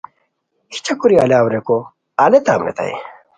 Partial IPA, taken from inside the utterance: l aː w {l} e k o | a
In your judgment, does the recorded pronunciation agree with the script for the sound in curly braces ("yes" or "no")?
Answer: no